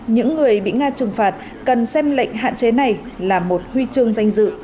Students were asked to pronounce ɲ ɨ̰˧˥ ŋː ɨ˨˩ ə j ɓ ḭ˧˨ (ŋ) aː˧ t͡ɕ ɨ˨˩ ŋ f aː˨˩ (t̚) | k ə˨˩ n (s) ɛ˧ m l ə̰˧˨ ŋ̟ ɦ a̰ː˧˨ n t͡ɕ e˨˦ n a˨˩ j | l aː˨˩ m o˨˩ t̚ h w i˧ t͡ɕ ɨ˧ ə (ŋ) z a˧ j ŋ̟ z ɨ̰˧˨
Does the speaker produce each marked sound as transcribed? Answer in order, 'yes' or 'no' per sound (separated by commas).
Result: yes, yes, yes, yes